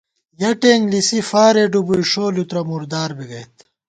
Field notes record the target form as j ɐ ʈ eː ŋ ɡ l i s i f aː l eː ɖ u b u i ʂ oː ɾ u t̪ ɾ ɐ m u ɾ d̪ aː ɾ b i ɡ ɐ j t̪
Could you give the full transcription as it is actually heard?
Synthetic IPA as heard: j ɐ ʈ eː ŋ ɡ l i s i f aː ɾ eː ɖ u b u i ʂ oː l u t̪ ɾ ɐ m u ɾ d̪ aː ɾ b i ɡ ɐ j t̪